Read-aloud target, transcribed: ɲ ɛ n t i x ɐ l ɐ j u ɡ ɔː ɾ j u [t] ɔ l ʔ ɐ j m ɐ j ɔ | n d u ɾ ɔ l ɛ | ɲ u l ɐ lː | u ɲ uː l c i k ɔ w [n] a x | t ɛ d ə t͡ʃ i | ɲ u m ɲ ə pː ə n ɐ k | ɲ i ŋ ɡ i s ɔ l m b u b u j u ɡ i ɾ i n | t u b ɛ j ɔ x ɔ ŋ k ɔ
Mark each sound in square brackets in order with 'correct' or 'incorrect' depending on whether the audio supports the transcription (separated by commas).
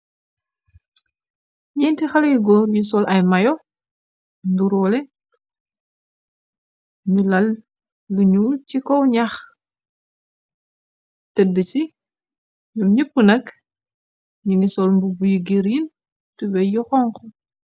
incorrect, incorrect